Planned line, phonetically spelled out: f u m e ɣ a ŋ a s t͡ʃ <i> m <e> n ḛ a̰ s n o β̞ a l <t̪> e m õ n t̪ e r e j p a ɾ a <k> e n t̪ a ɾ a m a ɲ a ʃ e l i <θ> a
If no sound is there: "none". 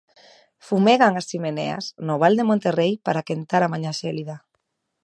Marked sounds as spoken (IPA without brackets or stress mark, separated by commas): i, e, d̪, k, ð